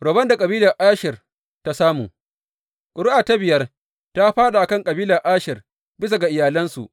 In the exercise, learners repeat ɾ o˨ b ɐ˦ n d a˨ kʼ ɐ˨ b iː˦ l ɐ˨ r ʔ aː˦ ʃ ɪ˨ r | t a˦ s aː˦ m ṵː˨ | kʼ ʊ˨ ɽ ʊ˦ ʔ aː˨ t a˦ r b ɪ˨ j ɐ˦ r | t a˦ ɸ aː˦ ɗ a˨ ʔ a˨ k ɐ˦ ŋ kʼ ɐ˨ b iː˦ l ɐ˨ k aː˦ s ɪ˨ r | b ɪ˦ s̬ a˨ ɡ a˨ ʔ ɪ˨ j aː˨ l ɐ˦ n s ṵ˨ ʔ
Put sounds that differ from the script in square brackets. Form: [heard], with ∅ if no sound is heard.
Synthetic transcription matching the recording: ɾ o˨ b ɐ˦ n d a˨ kʼ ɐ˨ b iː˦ l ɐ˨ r ʔ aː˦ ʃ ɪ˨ r | t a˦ s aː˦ m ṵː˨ | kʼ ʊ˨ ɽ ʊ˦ ʔ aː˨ t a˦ [∅] b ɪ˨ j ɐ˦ r | t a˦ ɸ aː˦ ɗ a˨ ʔ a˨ k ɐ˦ ŋ kʼ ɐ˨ b iː˦ l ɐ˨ [ʔ] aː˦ [ʃ] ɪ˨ r | b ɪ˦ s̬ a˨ ɡ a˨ ʔ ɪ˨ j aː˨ l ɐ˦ n s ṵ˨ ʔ